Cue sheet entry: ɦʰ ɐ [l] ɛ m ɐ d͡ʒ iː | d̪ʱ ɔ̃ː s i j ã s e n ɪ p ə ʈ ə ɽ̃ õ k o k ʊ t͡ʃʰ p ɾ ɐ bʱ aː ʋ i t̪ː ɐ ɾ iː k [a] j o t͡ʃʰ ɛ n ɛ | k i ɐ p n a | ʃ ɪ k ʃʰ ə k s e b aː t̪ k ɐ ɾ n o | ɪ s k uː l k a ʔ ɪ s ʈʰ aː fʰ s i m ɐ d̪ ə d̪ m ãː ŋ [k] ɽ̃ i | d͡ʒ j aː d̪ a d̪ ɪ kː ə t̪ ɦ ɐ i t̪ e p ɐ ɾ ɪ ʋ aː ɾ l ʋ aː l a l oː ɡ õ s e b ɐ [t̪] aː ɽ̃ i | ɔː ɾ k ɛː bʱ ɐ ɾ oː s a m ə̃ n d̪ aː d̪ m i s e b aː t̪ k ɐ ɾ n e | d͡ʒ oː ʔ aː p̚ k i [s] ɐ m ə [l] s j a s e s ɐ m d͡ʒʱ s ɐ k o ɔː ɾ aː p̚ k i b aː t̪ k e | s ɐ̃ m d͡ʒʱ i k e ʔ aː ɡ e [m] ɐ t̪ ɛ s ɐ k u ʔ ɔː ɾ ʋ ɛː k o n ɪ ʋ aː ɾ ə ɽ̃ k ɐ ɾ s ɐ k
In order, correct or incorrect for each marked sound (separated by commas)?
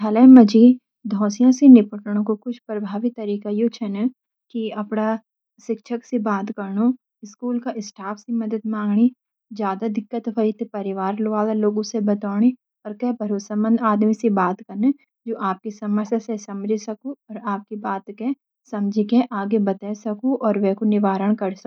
correct, correct, incorrect, correct, correct, incorrect, incorrect